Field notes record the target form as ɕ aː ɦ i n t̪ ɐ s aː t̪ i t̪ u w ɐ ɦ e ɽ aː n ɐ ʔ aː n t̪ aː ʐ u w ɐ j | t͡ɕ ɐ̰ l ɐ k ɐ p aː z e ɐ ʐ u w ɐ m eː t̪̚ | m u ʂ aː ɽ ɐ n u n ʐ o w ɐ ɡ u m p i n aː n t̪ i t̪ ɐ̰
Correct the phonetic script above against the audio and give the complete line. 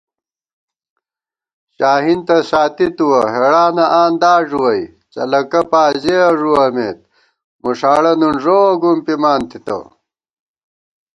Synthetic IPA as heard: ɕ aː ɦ i n t̪ ɐ s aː t̪ i t̪ u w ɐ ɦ e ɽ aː n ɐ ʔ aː n d̪ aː ʐ u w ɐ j | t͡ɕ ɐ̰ l ɐ k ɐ p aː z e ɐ ʐ u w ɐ m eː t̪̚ | m u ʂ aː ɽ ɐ n u n ʐ o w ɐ ɡ u m p i m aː n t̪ i t̪ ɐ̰